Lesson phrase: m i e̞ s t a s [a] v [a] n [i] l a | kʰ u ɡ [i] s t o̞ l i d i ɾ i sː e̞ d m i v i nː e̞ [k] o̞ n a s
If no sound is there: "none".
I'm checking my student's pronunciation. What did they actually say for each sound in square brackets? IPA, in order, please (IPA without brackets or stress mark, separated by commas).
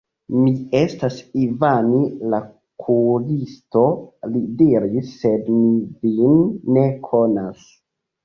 i, a, i, i, kʰ